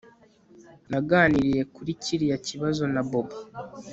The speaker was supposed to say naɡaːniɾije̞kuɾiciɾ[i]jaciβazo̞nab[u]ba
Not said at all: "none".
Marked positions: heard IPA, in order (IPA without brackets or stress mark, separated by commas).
i, o